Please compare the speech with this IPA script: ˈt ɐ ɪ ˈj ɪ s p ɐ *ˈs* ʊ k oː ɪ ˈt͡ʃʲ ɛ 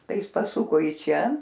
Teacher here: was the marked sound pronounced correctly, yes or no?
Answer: yes